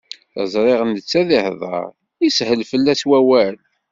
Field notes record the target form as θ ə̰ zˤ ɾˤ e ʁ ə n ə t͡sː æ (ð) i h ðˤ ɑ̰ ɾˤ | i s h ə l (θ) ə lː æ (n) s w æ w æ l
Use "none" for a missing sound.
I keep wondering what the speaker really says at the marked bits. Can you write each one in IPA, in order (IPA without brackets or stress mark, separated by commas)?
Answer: ð, f, none